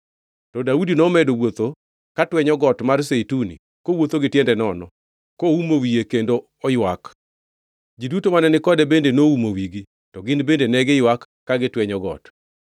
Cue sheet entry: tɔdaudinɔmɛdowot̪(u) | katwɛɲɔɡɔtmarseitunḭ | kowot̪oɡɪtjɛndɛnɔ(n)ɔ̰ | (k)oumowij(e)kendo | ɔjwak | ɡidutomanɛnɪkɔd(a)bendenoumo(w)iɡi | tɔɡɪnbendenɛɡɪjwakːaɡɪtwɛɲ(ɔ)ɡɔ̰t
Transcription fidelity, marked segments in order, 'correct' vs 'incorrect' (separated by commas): incorrect, correct, correct, correct, incorrect, correct, correct